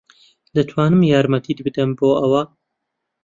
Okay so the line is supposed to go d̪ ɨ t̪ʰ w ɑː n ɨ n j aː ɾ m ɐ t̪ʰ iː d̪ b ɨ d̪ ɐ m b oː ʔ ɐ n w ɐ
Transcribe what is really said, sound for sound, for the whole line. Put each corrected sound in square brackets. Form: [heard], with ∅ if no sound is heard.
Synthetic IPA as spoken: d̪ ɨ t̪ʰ w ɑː n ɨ [m] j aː ɾ m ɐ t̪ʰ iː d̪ b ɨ d̪ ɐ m b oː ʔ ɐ [∅] w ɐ

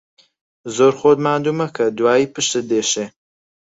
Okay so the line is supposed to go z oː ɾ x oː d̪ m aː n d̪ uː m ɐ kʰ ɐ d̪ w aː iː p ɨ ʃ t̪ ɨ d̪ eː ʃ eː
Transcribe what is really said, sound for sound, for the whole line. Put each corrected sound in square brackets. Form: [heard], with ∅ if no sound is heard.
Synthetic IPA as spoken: z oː ɾ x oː d̪ m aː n d̪ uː m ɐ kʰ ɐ d̪ w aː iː p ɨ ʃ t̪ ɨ d̪ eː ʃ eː

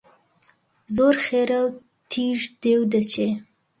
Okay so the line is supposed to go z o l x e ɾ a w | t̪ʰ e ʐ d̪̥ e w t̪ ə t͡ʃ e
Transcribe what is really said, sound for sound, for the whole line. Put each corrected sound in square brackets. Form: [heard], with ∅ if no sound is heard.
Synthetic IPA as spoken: z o [ɾ] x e ɾ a w | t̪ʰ [i] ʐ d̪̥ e w [d̪] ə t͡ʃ e

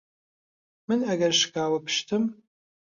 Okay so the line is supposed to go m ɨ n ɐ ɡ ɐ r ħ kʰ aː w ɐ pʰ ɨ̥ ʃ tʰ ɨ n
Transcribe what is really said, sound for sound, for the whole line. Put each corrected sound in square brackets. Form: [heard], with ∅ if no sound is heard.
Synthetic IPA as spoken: m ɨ n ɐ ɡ ɐ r [ʃ] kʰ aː w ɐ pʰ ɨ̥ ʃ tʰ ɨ [m]

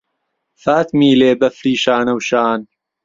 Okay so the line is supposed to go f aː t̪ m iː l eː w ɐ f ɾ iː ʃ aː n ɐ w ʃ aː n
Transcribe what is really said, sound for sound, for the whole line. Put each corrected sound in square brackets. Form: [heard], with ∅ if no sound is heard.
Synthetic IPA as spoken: f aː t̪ m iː l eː [b] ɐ f ɾ iː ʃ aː n ɐ w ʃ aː n

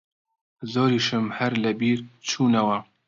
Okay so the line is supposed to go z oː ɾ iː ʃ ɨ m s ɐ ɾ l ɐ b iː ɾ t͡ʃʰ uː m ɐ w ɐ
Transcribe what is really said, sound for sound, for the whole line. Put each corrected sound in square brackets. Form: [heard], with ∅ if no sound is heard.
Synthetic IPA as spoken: z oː ɾ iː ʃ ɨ m [h] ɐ ɾ l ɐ b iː ɾ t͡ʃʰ uː [n] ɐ w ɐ

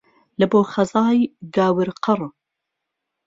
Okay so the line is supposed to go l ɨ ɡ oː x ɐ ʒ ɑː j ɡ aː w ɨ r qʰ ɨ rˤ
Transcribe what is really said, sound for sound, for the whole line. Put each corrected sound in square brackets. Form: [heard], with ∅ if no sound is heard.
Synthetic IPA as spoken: l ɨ [b] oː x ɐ [z] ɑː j ɡ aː w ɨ [ɾ] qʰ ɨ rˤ

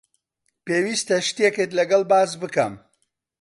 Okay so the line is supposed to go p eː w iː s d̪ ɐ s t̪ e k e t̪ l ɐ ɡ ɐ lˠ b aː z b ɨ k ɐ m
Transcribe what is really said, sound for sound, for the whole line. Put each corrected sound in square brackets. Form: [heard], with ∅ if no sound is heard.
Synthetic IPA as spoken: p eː w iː s [t̪] ɐ [ʃ] t̪ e k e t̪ l ɐ ɡ ɐ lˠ b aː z b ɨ k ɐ m

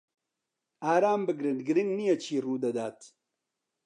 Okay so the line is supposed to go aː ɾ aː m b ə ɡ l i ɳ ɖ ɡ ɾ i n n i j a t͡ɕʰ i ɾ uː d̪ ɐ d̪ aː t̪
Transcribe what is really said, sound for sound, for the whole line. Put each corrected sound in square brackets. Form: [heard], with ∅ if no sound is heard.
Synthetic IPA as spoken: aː ɾ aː m b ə ɡ [ɾ] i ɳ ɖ ɡ ɾ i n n i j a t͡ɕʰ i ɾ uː d̪ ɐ d̪ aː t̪

